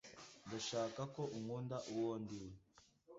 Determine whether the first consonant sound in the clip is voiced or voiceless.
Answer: voiced